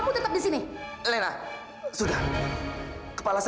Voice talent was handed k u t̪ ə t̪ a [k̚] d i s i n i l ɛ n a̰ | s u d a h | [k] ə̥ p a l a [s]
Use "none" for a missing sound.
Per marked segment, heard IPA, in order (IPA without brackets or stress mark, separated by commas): p̚, k, s